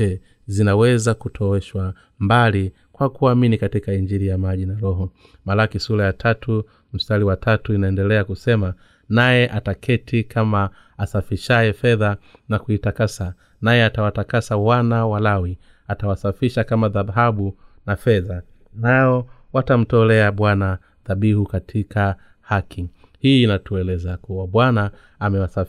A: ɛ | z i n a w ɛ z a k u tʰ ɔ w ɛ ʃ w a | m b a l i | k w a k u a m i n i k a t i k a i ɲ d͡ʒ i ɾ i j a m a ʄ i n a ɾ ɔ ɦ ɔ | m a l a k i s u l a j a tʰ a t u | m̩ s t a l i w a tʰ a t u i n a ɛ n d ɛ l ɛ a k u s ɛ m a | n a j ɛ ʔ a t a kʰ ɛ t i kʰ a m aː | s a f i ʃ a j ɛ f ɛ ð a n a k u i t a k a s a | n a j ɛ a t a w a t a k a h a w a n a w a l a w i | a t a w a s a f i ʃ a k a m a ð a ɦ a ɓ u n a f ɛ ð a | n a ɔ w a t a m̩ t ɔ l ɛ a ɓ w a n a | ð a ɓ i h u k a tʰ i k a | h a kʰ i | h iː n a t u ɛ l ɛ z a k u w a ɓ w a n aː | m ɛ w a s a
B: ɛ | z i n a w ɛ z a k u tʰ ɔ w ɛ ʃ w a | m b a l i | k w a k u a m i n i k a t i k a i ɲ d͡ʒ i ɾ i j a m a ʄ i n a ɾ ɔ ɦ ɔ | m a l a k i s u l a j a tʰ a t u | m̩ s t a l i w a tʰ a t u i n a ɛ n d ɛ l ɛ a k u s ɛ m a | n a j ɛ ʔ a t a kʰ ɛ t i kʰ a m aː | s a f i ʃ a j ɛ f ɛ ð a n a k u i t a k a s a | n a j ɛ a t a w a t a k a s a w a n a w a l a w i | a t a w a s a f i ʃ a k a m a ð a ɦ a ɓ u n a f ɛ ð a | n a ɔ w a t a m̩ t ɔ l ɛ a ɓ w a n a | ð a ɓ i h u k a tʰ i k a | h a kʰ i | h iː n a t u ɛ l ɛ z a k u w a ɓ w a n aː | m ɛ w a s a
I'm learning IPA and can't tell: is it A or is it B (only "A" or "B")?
B